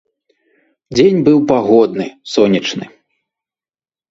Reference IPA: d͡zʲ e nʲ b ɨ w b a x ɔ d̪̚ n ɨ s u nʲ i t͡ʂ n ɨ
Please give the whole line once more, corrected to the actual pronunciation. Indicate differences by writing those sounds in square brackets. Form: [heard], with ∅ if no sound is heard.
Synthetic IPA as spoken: d͡zʲ e nʲ b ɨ w [p] a [ɣ] ɔ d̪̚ n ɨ s [ɔ] nʲ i t͡ʂ n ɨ